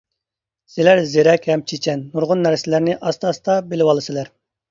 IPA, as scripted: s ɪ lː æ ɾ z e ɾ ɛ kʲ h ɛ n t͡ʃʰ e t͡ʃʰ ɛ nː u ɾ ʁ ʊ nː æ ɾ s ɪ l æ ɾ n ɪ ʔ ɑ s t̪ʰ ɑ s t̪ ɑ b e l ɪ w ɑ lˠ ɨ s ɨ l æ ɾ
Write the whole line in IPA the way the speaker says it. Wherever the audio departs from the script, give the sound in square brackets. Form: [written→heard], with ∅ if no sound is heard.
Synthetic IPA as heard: s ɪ [lː→l] æ ɾ z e ɾ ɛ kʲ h ɛ [n→m] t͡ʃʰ e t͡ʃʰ ɛ nː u ɾ ʁ ʊ nː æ ɾ s ɪ l æ ɾ n ɪ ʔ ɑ s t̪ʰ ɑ s t̪ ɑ b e l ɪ w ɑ lˠ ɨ s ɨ l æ ɾ